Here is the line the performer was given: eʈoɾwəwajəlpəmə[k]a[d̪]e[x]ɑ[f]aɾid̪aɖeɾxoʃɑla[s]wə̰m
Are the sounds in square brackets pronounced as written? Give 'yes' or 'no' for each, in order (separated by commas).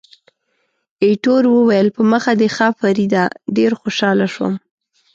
no, yes, yes, yes, no